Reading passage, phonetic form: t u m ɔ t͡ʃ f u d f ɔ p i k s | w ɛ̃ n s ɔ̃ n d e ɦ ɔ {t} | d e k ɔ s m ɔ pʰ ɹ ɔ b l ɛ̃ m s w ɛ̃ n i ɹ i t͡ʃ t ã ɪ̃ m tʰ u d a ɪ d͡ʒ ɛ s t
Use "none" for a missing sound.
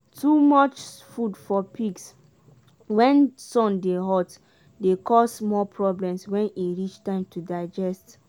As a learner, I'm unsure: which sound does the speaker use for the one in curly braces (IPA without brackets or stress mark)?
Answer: t